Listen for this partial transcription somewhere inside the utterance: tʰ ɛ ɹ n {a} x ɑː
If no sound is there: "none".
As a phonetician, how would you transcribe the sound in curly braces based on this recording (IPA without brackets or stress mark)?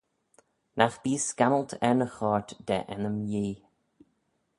ə